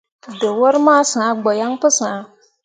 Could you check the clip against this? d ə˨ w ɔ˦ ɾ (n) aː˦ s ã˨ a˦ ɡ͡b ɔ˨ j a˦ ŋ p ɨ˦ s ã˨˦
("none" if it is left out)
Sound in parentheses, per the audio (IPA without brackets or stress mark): m